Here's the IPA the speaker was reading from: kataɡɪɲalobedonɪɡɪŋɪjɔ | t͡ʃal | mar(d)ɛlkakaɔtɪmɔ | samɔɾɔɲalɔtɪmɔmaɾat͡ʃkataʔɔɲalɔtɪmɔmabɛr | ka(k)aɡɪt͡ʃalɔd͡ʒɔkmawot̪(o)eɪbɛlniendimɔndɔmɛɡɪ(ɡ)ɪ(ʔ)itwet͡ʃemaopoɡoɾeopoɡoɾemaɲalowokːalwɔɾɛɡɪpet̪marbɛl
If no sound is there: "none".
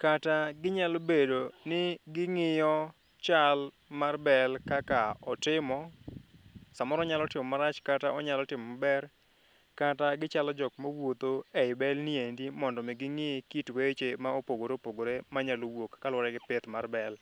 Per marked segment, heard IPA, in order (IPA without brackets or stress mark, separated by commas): b, t, o, ŋ, k